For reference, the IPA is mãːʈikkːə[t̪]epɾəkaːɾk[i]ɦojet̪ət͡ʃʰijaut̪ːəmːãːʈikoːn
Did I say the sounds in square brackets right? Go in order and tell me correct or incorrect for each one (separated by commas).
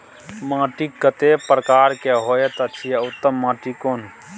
correct, incorrect